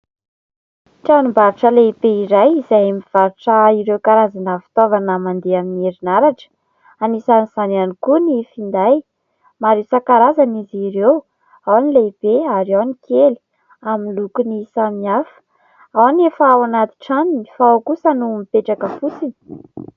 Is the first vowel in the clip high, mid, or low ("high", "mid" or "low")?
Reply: low